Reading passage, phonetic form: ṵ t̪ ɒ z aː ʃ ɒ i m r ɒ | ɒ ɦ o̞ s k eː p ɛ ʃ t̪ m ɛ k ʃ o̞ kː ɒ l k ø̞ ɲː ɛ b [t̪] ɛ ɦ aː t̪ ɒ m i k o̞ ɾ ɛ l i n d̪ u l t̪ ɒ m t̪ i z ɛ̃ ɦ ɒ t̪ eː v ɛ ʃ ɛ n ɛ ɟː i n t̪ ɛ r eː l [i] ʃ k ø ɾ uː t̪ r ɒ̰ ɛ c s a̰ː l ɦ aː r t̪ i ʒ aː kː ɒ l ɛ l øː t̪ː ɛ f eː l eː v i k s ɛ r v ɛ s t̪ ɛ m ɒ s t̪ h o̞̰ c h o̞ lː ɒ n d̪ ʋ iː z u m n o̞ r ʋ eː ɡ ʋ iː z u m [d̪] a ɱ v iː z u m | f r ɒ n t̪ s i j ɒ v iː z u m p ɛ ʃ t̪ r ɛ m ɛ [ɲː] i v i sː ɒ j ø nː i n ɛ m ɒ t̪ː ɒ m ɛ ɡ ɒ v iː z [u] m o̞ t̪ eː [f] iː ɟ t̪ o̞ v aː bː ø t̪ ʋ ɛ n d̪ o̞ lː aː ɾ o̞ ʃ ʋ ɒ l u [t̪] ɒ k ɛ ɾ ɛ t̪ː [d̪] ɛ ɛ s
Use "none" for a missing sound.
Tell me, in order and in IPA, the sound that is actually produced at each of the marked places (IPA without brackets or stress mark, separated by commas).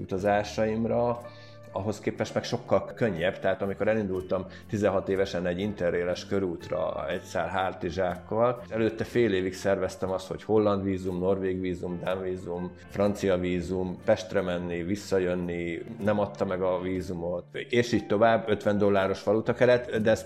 t̪, ɛ, d̪, nː, u, ʃ, t̪, d̪